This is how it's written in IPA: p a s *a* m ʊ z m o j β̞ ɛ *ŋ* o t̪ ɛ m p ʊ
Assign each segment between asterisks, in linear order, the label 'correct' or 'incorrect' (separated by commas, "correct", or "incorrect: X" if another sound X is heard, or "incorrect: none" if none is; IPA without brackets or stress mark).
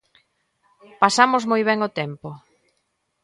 correct, correct